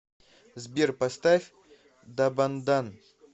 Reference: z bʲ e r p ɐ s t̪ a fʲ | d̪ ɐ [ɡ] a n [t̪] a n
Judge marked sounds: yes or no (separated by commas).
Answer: no, no